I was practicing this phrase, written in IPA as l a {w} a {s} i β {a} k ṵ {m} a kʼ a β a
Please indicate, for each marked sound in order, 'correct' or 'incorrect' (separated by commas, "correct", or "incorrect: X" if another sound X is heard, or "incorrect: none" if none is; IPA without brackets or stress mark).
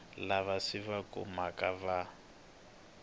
incorrect: β, correct, correct, correct